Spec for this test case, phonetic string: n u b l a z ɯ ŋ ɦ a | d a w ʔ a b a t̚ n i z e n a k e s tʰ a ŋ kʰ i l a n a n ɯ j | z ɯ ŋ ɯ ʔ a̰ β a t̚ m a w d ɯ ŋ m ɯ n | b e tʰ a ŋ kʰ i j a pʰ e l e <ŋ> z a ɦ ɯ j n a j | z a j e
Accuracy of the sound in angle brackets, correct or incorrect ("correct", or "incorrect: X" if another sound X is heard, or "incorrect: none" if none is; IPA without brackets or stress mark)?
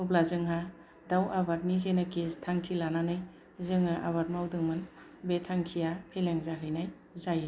correct